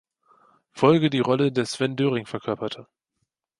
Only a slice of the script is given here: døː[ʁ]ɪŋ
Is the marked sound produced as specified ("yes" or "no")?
yes